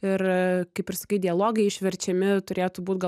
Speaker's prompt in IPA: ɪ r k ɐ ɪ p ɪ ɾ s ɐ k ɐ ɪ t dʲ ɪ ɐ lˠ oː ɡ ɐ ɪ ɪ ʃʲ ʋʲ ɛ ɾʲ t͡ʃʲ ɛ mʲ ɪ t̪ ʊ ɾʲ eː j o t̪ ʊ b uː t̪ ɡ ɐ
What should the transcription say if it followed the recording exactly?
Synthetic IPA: ɪ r k ɐ ɪ p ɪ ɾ s ɐ k ɐ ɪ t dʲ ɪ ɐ lˠ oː ɡ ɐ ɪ ɪ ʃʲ ʋʲ ɛ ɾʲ t͡ʃʲ ɛ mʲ ɪ t̪ ʊ ɾʲ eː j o t̪ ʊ b uː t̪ ɡ ɐ